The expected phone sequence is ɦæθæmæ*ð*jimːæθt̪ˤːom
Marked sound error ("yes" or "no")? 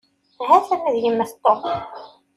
no